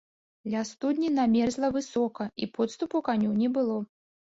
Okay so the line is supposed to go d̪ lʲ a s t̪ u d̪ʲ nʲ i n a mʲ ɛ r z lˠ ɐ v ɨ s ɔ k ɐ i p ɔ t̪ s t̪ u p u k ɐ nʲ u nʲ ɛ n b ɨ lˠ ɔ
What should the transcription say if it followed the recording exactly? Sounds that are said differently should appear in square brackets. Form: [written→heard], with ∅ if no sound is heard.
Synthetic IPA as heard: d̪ lʲ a s t̪ u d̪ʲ nʲ i n a mʲ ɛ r z lˠ ɐ v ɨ s ɔ k ɐ i p ɔ t̪ s t̪ u p u k [ɐ→a] nʲ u nʲ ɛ [n→∅] b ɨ lˠ ɔ